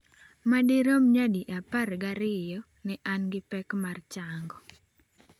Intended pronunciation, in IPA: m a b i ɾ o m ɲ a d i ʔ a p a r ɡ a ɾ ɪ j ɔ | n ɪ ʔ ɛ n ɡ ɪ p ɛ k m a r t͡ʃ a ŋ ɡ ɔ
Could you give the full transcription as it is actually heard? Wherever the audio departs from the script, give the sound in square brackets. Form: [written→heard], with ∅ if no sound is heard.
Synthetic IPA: m a [b→d] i ɾ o m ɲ a d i ʔ a p a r ɡ a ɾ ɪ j ɔ | n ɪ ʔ [ɛ→a] n ɡ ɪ p ɛ k m a r t͡ʃ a ŋ ɡ ɔ